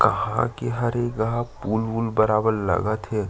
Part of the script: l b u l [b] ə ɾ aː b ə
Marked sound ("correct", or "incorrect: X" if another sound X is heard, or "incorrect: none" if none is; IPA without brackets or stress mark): correct